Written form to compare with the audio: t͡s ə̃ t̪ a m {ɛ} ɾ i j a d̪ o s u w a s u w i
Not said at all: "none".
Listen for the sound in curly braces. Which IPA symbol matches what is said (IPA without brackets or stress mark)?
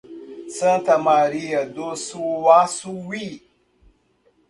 a